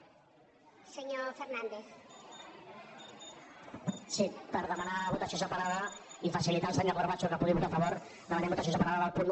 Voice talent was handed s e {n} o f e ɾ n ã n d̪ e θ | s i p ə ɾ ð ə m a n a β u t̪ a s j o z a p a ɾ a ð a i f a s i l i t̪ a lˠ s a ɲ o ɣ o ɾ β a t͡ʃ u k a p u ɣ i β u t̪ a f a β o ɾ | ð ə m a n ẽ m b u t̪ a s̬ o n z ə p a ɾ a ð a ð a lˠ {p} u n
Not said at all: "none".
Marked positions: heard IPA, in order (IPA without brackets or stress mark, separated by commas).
ɲ, p